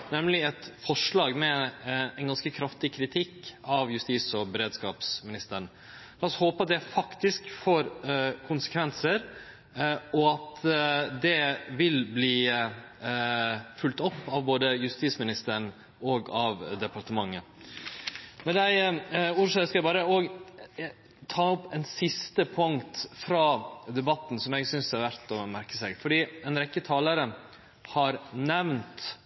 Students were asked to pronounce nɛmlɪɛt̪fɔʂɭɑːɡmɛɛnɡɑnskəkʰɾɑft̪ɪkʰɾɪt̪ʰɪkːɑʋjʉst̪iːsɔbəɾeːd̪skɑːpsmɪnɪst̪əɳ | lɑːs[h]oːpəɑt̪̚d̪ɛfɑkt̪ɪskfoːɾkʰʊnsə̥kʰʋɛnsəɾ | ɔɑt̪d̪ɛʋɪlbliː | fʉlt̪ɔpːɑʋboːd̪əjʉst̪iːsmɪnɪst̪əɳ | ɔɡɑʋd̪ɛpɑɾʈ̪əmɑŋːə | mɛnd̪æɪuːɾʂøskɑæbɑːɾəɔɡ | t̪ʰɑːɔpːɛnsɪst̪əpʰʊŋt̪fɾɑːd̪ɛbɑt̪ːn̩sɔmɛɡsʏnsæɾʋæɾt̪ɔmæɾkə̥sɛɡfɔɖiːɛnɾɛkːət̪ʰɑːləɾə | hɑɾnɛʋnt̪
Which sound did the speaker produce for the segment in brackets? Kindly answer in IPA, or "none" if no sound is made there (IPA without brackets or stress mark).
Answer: h